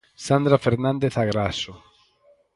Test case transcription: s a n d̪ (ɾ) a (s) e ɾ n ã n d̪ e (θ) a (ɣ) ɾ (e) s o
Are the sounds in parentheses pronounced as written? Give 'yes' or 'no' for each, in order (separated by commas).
yes, no, yes, yes, no